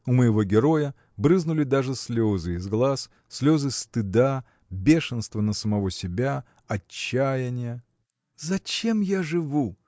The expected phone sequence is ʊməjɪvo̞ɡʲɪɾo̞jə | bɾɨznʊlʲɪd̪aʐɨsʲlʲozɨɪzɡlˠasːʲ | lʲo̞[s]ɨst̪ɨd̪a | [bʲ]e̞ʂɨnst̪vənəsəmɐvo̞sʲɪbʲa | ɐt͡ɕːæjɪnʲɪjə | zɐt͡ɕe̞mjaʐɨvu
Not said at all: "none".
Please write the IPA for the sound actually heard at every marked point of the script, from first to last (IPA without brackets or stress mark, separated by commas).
z, bʲ